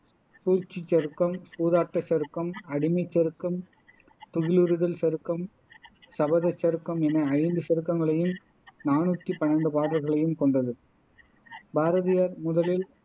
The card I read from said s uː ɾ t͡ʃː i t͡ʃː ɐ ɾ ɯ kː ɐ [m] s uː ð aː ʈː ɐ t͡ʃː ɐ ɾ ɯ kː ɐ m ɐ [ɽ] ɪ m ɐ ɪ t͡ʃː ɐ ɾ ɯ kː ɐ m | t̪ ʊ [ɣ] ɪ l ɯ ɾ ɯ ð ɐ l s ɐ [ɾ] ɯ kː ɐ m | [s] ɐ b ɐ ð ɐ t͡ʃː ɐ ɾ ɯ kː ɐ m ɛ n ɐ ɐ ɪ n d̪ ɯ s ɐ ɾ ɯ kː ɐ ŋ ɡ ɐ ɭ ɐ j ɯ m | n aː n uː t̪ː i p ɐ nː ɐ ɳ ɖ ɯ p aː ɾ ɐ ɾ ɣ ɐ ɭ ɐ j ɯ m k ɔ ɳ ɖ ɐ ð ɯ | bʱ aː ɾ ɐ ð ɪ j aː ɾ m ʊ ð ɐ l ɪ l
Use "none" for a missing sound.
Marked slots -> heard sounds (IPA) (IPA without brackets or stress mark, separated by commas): m, ɽ, ɣ, ɾ, s